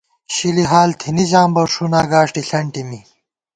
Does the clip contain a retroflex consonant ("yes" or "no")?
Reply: yes